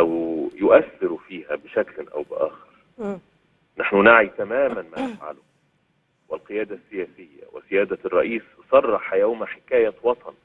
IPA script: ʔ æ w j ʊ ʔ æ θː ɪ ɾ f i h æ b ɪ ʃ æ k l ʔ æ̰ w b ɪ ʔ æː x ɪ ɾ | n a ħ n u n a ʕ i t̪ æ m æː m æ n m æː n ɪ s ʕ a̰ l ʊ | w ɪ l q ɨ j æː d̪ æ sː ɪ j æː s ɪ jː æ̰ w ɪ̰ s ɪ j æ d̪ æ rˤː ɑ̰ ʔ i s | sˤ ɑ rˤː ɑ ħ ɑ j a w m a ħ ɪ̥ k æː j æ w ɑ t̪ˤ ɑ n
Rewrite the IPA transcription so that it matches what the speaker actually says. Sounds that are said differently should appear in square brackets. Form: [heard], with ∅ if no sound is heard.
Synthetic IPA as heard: ʔ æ w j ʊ ʔ æ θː ɪ ɾ f [iː] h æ b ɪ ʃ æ k l ʔ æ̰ w b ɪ ʔ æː x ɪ ɾ | n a ħ n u n a ʕ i t̪ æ m æː m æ n m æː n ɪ [f] ʕ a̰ l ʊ | w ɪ l q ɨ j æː d̪ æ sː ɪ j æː s ɪ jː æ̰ w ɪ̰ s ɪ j [æː] d̪ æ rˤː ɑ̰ ʔ [iː] s | sˤ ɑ rˤː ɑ ħ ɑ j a w m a ħ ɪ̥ k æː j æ w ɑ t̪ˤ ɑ n